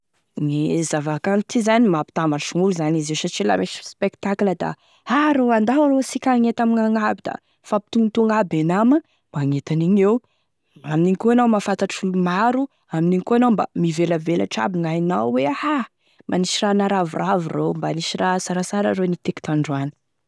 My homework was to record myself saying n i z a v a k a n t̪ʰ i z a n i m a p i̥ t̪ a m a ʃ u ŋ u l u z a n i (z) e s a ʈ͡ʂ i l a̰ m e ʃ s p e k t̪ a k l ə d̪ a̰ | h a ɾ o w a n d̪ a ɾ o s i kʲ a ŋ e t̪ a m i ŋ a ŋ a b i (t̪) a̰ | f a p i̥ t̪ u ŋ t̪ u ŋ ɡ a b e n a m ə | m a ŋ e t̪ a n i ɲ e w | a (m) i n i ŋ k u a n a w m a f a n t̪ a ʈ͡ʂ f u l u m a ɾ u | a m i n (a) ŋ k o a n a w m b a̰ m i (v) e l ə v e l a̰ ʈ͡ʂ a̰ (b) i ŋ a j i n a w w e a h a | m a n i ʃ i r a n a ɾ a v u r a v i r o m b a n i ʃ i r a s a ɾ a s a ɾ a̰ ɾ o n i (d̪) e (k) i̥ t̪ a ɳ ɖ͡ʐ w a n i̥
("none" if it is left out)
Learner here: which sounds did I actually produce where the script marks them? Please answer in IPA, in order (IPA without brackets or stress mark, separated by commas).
z, d̪, m, i, v, b, t̪, k